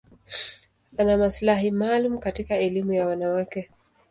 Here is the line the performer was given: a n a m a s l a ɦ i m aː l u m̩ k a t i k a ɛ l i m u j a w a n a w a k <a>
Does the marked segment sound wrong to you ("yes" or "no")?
yes